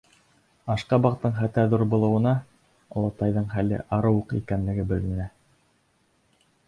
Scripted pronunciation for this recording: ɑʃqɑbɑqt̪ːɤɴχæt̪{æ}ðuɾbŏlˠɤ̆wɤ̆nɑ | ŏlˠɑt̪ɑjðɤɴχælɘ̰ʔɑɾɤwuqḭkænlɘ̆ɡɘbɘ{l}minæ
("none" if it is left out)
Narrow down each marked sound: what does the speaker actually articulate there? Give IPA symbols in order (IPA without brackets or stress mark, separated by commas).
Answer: æ, l